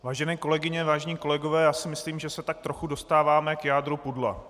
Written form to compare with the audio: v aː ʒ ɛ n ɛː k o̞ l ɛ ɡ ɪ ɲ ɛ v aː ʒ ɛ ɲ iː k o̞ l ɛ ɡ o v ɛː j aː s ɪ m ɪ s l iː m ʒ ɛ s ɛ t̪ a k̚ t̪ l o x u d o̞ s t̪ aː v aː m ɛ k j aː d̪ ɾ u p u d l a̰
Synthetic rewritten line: v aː ʒ ɛ n ɛː k o̞ l ɛ ɡ ɪ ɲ ɛ v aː ʒ ɛ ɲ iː k o̞ l ɛ ɡ o v ɛː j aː s ɪ m ɪ s l iː m ʒ ɛ s ɛ t̪ a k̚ t̪ ɾ o x u d o̞ s t̪ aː v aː m ɛ k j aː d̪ ɾ u p u d l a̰